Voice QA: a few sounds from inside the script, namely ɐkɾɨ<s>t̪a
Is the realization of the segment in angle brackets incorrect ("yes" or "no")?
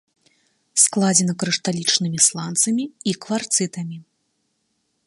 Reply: yes